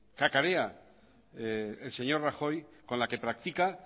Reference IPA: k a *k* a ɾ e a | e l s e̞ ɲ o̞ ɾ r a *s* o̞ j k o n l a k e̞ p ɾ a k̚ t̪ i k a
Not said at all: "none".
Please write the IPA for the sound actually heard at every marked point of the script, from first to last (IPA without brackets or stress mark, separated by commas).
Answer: k, x